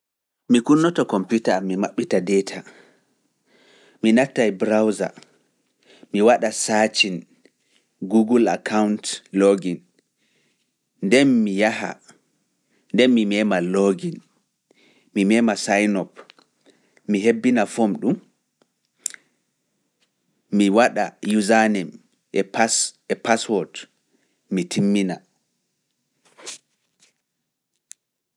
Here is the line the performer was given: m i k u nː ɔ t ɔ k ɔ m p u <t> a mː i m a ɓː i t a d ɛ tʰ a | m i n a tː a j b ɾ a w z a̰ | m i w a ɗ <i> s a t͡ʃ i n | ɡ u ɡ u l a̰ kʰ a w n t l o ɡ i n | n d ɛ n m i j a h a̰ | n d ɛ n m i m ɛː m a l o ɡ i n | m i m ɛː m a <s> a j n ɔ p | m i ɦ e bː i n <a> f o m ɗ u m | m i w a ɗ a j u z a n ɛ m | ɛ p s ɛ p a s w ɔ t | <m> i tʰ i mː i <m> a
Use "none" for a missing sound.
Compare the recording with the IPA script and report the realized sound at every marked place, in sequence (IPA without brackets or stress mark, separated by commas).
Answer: t, a, s, a, m, n